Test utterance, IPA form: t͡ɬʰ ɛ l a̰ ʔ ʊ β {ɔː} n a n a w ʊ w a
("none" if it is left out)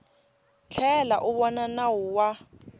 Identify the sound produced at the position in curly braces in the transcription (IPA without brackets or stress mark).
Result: ɔ